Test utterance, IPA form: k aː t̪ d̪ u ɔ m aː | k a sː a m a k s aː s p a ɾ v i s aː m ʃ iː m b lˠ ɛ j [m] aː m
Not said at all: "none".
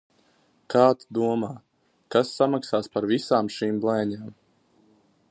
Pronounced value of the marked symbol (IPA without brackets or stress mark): ɲ